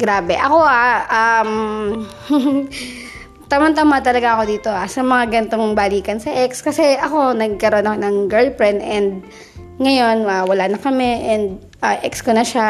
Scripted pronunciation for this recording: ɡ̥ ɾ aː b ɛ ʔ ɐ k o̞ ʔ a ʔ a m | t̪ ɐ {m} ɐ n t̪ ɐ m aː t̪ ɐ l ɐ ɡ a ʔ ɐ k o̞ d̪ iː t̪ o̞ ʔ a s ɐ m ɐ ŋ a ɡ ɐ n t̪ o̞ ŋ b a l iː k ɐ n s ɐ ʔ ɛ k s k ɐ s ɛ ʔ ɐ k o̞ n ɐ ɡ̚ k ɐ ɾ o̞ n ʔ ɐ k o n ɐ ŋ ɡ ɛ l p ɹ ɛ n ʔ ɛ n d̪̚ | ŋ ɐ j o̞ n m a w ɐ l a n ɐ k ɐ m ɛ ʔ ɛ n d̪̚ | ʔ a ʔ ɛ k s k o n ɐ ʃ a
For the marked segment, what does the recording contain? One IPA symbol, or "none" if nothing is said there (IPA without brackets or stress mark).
m